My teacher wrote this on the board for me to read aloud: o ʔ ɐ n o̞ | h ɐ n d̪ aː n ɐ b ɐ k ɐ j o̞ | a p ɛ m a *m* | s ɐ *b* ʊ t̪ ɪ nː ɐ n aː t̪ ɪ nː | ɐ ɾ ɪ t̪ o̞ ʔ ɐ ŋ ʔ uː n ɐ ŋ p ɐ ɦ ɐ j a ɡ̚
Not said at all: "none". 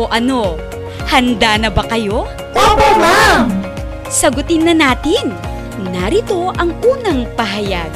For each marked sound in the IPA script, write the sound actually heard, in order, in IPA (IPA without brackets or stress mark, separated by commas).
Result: m, ɡ